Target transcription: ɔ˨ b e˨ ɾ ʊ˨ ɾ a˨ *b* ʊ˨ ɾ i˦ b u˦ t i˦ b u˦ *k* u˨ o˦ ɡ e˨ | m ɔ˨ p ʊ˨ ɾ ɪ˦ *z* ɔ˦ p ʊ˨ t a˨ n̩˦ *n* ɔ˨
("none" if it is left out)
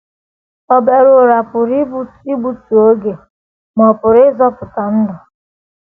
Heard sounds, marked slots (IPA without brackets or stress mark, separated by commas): p, t, z, d